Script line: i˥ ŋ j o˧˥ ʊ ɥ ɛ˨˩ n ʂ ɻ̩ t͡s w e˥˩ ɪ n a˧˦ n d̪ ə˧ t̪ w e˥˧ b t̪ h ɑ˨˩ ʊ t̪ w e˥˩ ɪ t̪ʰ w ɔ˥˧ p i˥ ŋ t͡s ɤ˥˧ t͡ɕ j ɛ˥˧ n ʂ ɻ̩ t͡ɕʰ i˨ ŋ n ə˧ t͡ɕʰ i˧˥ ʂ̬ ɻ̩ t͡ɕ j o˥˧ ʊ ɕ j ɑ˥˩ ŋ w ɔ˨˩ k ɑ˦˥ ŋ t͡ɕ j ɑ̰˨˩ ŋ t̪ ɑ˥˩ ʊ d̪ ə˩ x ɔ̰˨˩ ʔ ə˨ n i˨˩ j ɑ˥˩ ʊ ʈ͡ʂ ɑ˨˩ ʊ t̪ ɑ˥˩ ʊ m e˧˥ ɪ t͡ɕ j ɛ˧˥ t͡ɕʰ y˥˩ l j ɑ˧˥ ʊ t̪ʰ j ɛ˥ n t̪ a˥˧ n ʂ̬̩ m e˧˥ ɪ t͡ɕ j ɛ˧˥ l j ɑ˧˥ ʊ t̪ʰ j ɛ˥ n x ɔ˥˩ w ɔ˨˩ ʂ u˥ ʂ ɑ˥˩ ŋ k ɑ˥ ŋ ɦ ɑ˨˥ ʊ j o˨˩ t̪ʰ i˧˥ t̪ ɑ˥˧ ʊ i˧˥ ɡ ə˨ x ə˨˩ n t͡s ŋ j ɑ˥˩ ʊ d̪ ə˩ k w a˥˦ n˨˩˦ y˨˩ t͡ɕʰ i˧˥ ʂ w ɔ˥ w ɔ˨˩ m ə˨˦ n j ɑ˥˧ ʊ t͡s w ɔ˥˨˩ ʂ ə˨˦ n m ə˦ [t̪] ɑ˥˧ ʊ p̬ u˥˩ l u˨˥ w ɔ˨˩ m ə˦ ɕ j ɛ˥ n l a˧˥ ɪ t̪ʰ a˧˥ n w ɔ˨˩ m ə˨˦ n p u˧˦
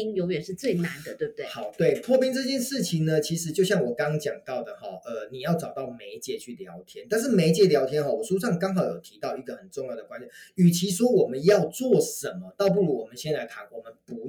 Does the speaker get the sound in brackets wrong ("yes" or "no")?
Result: no